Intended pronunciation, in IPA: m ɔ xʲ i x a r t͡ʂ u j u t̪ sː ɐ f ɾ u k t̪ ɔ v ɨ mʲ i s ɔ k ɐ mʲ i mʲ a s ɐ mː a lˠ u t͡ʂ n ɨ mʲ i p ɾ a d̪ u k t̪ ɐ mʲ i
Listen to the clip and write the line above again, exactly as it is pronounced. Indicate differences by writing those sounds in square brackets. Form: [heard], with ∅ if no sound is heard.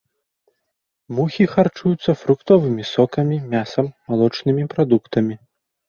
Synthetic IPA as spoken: m [u] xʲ i x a r t͡ʂ u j u t̪ sː ɐ f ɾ u k t̪ ɔ v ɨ mʲ i s ɔ k ɐ mʲ i mʲ a s ɐ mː a lˠ [ɔ] t͡ʂ n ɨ mʲ i p ɾ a d̪ u k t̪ ɐ mʲ i